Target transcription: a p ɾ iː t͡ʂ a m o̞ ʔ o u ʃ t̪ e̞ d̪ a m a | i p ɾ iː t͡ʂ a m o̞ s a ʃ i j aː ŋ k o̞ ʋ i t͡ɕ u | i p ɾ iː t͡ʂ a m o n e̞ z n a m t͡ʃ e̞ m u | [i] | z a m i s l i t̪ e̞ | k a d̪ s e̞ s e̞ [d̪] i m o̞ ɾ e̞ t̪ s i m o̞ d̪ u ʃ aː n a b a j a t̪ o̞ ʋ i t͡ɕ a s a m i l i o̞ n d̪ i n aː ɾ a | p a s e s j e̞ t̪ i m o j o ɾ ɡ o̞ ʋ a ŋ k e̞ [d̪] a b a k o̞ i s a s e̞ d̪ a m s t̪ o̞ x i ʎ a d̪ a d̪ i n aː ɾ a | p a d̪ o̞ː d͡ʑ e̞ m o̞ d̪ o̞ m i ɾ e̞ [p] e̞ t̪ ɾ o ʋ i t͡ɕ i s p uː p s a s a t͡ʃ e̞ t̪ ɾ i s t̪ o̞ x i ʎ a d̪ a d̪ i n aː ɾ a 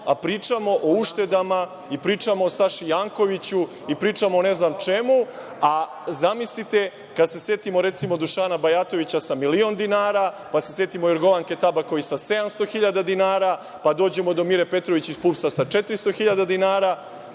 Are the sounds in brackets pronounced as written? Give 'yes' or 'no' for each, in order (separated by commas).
no, no, no, yes